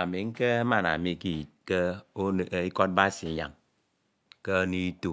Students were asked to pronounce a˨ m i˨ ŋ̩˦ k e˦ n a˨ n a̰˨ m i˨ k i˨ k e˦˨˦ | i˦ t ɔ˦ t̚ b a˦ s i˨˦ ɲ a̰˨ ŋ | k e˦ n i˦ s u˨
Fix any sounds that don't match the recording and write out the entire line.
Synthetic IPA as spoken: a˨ m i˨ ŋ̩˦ k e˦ m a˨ n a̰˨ m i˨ k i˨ k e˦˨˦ | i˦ k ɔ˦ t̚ b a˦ s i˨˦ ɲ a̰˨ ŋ | k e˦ n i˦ t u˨